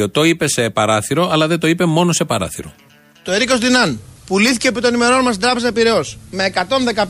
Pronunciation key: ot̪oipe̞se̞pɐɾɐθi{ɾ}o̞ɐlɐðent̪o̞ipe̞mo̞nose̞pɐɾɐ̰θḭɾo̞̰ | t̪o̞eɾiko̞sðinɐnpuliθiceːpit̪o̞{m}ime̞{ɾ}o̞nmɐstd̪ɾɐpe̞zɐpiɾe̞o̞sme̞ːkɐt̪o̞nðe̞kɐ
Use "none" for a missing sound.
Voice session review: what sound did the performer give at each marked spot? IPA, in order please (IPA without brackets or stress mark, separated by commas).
ɾ, n, ɾ